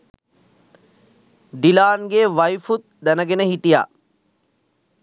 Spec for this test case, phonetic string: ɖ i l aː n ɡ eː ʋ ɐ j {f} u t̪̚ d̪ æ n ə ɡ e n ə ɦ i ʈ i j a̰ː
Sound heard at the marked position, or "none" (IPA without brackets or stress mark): f